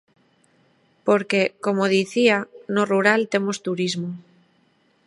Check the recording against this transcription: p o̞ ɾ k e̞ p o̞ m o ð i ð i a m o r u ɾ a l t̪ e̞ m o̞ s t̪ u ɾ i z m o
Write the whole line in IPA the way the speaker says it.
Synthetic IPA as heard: p o̞ ɾ k e̞ k o̞ m o ð i θ i a n o r u ɾ a l t̪ e̞ m o̞ s t̪ u ɾ i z m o